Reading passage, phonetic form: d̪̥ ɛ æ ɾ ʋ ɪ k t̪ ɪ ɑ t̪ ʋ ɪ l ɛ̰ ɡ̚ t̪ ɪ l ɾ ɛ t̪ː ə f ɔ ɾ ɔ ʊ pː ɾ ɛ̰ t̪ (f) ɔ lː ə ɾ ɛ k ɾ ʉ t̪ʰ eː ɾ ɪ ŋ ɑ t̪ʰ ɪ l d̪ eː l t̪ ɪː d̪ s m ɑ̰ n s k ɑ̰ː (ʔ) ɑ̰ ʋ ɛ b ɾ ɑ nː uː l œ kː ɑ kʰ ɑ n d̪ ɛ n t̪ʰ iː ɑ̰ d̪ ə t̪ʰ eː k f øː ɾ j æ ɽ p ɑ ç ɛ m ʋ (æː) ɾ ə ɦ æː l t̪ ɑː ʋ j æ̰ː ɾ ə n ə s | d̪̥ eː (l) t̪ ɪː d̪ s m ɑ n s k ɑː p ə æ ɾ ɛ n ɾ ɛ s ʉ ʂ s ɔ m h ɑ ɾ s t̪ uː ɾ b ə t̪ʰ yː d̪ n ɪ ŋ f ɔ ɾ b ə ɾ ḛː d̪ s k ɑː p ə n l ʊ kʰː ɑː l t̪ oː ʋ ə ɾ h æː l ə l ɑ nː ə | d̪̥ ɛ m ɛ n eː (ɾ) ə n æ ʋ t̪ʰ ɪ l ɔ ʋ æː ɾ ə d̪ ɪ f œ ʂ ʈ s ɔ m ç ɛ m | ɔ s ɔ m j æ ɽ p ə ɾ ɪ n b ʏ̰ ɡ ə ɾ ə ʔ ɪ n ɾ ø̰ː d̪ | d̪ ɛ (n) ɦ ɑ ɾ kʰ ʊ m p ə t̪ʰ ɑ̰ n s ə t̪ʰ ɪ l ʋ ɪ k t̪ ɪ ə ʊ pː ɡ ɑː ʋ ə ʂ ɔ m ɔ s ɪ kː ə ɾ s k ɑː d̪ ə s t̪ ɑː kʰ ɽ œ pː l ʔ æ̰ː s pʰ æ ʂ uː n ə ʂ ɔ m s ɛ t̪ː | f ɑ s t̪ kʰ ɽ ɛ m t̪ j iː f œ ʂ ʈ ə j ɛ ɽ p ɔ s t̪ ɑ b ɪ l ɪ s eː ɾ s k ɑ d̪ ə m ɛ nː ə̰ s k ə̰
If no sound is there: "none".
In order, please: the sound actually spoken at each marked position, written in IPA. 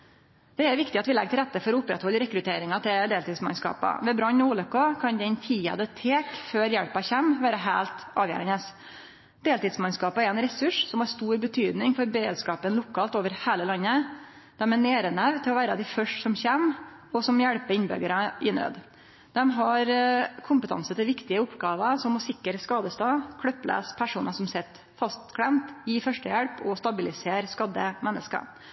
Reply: h, p, æː, l, ɾ, m

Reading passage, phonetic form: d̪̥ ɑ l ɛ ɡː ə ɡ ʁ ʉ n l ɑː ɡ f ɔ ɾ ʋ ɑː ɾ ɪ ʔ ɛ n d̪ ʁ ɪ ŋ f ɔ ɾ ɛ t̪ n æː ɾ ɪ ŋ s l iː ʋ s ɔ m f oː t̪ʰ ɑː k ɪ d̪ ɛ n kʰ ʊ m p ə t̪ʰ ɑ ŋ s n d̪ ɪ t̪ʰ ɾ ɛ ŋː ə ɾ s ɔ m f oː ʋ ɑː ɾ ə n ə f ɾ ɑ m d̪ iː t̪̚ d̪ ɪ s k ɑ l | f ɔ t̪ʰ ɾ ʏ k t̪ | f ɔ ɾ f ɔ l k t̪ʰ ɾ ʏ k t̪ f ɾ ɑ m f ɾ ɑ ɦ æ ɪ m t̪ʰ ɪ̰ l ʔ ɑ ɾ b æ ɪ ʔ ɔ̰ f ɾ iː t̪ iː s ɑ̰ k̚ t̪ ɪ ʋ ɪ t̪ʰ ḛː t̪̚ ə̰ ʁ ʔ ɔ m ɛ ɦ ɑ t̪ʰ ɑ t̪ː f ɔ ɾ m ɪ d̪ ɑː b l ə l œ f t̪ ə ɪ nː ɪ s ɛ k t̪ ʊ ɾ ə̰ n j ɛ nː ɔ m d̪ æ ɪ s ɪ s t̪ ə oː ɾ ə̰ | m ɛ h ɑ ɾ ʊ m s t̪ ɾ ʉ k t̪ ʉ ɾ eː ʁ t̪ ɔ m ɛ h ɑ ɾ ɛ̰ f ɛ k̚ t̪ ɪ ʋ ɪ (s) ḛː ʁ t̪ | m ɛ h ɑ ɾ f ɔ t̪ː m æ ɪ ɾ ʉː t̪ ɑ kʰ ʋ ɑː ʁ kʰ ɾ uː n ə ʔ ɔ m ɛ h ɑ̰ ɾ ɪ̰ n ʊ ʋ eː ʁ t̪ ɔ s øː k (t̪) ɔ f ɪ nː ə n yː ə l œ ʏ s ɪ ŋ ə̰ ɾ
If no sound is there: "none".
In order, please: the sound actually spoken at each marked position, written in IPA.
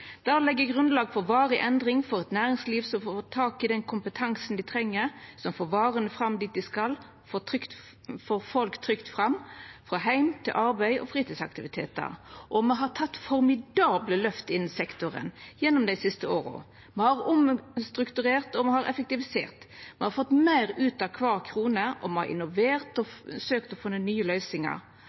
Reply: s, t̪

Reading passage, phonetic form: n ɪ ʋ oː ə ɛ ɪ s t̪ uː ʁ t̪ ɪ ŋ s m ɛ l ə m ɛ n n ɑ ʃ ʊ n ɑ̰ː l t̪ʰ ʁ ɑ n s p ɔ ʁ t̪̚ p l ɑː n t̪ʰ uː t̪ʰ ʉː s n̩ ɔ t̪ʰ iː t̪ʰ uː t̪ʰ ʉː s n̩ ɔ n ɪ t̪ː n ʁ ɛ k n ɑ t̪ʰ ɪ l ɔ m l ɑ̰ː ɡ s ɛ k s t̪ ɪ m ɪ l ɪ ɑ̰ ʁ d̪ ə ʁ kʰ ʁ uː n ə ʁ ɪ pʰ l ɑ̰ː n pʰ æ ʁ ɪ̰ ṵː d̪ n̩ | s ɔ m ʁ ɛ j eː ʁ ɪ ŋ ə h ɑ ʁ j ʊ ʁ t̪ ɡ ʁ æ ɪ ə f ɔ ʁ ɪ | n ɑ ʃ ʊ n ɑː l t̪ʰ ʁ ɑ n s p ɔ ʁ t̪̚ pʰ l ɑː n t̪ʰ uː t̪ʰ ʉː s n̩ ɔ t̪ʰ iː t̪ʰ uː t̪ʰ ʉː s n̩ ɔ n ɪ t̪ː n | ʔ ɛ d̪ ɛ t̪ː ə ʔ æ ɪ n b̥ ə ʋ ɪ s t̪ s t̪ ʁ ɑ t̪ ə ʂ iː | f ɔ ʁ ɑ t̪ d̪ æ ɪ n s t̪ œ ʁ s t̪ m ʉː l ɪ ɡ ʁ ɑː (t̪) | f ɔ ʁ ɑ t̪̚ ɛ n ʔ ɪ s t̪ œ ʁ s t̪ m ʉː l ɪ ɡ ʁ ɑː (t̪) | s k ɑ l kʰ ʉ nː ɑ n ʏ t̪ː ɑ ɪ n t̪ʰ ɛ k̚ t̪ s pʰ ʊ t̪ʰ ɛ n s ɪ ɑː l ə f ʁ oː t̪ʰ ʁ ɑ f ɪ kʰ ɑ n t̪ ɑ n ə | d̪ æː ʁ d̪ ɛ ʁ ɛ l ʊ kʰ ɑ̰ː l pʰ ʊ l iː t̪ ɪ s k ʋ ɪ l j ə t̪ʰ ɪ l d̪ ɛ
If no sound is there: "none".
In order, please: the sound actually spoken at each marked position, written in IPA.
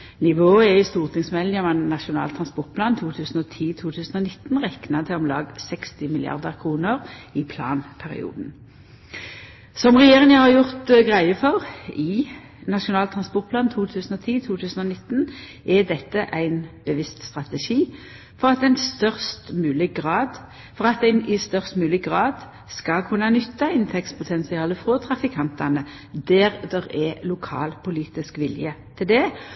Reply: d̪, d̪

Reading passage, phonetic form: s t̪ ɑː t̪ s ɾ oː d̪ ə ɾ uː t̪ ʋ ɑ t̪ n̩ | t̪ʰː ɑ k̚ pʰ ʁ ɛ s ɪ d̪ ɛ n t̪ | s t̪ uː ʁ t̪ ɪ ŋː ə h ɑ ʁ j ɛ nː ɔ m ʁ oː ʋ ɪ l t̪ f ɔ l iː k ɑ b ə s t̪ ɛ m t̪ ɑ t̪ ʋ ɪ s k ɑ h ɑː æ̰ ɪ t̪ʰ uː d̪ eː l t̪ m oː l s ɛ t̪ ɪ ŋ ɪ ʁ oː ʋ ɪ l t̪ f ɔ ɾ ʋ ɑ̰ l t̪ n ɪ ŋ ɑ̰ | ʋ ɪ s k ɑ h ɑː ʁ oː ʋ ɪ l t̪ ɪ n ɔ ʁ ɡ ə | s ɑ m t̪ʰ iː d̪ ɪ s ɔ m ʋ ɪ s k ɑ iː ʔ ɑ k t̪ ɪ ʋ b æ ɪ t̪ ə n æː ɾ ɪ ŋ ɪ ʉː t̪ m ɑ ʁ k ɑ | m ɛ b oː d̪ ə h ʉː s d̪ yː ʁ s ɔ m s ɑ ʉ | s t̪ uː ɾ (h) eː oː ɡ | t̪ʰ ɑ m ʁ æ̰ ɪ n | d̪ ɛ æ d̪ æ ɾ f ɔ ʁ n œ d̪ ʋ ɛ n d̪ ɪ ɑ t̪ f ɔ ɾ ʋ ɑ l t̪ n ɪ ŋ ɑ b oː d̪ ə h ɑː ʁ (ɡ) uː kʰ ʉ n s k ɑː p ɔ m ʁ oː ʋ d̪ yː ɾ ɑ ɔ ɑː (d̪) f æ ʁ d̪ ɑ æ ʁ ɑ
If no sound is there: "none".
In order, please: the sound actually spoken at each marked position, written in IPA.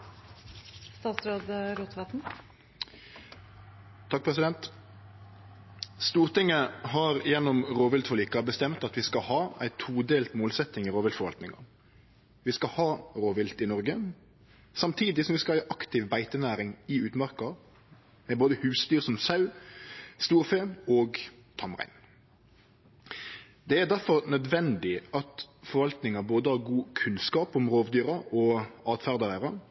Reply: f, ɡ, t̪

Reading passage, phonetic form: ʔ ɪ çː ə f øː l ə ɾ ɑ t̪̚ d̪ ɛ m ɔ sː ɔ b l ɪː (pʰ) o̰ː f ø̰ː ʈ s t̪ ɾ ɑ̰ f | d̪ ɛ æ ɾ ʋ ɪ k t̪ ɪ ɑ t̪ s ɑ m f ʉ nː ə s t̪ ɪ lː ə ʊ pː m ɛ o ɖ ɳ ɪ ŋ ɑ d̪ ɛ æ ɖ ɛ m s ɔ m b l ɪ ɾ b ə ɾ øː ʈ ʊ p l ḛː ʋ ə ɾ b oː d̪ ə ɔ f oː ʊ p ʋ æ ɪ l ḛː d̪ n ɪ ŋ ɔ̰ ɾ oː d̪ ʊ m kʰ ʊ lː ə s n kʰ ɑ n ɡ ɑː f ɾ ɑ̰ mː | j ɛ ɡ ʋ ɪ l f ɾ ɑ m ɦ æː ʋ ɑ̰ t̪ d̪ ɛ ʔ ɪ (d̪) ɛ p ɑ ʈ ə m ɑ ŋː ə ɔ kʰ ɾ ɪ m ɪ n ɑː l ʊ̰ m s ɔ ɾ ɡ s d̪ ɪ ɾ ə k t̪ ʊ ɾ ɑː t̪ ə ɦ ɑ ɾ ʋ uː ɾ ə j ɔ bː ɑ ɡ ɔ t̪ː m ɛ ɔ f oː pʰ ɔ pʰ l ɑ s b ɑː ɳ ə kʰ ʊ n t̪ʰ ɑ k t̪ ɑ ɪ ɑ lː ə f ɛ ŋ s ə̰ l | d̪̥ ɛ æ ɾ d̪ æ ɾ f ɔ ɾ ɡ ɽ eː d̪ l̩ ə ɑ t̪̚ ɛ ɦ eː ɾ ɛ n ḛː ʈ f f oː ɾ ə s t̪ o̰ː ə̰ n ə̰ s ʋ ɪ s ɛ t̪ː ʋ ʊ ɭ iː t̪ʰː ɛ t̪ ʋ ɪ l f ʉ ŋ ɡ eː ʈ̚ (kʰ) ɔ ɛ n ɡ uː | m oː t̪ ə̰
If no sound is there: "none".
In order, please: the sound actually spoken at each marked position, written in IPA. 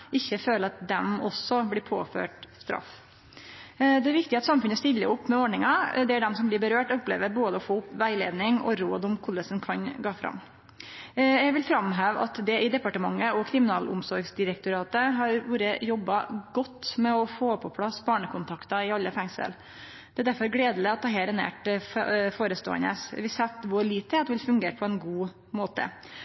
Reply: pʰ, d̪, pʰ

